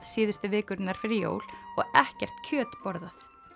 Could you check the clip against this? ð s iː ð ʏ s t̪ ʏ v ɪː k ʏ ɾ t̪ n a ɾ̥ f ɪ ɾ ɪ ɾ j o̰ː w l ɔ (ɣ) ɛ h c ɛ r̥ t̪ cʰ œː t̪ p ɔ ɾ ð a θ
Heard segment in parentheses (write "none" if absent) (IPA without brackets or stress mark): ɣ